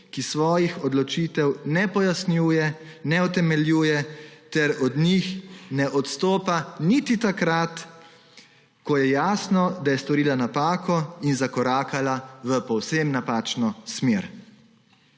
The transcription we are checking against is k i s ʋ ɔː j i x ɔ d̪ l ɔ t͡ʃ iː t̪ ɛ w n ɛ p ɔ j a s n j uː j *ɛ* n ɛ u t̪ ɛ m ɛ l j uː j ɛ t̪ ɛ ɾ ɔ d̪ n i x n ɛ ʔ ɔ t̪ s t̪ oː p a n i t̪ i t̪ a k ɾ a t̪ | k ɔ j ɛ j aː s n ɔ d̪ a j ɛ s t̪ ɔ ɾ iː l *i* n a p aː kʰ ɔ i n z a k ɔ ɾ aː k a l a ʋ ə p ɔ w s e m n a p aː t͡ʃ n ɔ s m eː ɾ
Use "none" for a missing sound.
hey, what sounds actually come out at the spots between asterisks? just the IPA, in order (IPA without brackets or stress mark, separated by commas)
ɛ, a